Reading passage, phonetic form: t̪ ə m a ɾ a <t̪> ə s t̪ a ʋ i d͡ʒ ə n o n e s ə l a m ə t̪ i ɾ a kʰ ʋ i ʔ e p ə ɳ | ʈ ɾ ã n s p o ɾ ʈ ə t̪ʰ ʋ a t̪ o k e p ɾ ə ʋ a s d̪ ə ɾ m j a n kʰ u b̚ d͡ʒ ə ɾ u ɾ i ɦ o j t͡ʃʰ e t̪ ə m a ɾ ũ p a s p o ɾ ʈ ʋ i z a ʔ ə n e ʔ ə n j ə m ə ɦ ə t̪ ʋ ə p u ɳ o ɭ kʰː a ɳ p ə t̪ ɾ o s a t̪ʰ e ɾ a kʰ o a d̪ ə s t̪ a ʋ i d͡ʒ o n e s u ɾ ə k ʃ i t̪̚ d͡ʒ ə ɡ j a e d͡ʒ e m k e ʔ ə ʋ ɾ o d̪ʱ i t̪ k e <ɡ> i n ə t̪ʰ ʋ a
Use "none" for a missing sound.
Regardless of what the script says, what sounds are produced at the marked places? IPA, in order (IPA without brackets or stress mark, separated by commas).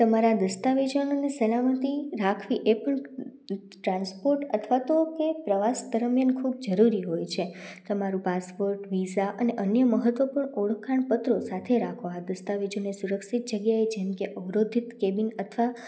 d̪, b